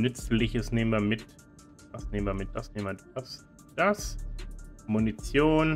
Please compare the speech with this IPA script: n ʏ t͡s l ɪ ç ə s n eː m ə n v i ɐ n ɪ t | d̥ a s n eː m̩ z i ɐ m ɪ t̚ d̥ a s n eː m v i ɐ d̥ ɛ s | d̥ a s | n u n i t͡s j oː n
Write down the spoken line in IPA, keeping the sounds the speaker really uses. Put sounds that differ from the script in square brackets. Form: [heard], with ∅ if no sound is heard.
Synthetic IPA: n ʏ t͡s l ɪ ç ə s n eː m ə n v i ɐ [m] ɪ t | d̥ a s n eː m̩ [v] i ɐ m ɪ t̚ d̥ a s n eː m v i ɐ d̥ [a] s | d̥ a s | [m] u n i t͡s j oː n